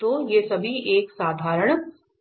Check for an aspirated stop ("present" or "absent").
absent